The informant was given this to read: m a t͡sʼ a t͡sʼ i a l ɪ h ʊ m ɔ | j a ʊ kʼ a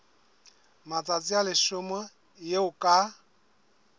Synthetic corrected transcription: m a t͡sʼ a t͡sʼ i a l ɪ ʃ ʊ m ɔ | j e ʊ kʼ a